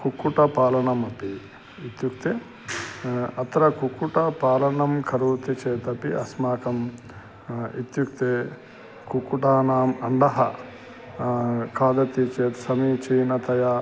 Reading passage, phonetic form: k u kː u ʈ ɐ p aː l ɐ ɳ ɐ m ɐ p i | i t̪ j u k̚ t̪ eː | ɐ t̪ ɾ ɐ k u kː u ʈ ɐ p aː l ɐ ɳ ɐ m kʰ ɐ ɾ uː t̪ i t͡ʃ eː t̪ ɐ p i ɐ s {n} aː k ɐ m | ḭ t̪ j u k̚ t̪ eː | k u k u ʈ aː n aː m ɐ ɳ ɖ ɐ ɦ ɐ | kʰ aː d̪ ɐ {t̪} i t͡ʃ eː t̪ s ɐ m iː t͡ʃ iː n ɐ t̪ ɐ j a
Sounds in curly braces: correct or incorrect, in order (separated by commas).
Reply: incorrect, correct